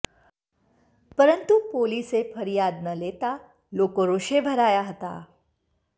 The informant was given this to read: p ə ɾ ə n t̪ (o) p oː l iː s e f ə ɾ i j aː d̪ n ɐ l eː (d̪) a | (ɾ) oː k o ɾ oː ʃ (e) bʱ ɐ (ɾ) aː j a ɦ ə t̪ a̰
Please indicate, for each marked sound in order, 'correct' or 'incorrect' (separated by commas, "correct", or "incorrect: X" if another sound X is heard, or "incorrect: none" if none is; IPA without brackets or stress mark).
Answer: incorrect: u, incorrect: t̪, incorrect: l, correct, correct